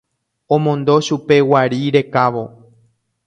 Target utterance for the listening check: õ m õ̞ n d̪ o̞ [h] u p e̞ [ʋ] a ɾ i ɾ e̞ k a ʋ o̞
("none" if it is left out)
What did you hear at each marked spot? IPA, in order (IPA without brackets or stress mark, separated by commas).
ʃ, w